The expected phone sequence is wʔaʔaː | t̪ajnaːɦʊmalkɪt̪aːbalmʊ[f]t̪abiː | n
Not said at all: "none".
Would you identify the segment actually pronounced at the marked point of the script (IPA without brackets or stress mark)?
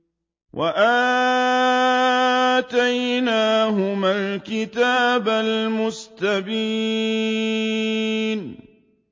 s